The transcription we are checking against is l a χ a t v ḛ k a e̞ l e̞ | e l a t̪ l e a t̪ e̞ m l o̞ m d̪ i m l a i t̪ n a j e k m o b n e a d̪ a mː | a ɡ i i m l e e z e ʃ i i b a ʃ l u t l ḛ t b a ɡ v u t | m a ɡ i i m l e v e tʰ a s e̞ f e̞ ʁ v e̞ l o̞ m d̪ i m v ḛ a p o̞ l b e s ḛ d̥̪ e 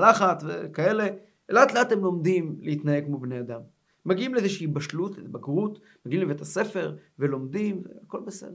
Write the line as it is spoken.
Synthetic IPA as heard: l a χ a t v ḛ k a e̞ l e̞ | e l a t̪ l e a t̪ e̞ m l o̞ m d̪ i m l e i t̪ n a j e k m o b n e a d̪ a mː | a ɡ i i m l e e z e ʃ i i b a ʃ l u t l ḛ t b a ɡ ʁ u t | m a ɡ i i m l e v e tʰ a s e̞ f e̞ ʁ v e̞ l o̞ m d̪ i m v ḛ a k o̞ l b e s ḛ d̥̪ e